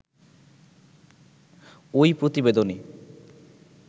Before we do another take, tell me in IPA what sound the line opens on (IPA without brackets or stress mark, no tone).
o